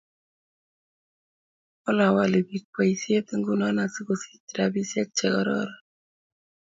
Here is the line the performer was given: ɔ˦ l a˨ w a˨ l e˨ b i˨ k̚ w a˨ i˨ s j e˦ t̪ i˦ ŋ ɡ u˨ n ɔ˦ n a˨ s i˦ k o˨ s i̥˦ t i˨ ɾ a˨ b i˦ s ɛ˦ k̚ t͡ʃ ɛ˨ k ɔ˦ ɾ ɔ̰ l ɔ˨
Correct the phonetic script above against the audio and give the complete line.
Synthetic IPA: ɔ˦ l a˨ w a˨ l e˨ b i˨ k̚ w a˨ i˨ s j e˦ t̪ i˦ ŋ ɡ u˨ n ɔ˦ n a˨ s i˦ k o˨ s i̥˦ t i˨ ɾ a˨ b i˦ s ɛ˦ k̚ t͡ʃ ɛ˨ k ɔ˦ ɾ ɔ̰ ɾ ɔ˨